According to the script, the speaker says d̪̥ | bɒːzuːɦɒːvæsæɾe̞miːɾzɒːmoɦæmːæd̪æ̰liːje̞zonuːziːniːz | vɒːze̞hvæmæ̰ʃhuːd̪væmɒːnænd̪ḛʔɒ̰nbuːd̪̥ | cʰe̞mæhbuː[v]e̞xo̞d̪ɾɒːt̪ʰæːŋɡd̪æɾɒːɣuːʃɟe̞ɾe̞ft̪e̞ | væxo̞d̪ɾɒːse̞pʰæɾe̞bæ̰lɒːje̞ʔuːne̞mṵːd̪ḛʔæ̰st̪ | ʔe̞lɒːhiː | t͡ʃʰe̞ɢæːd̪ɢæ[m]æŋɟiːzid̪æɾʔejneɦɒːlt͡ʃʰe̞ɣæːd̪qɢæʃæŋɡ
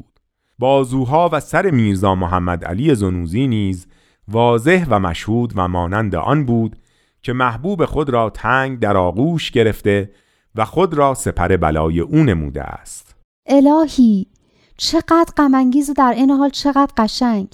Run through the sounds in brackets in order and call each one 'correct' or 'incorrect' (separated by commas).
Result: incorrect, correct